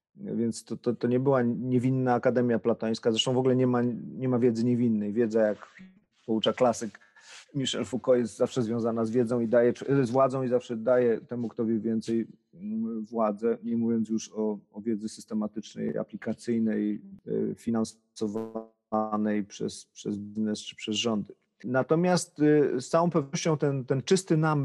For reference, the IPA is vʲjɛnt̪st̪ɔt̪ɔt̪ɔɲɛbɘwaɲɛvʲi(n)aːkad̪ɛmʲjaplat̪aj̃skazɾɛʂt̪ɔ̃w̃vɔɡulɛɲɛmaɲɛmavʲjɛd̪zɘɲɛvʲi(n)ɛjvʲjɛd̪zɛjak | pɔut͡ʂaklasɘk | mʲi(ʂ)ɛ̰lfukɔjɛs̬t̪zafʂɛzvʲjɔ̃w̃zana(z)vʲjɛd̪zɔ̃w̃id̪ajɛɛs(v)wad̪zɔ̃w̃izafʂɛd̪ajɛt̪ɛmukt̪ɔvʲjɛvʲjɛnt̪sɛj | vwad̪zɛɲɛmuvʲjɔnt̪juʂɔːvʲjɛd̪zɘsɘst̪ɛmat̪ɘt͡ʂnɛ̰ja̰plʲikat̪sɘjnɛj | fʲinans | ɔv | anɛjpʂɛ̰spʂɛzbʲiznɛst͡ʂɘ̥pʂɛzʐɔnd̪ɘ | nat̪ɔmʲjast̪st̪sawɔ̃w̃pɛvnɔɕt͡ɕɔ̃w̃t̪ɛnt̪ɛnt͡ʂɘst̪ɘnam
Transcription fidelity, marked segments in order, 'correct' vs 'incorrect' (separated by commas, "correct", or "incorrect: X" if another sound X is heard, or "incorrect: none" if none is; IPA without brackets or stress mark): incorrect: nː, incorrect: nː, correct, correct, correct